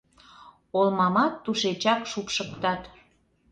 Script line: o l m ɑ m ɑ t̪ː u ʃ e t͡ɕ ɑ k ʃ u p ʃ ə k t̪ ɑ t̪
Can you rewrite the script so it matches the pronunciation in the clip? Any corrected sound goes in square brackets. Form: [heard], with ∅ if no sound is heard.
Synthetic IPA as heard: o l m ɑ m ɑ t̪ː u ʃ e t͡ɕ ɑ k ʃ u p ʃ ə k t̪ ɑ t̪